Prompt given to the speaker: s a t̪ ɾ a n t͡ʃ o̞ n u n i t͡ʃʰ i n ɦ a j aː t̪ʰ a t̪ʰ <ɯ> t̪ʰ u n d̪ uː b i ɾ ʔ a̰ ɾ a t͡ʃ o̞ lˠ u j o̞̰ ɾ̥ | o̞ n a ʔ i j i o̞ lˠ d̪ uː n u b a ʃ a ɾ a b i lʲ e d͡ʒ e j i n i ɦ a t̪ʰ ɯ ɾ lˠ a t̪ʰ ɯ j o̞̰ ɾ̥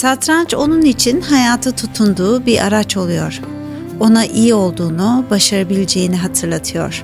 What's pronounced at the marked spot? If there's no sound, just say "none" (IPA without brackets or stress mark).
u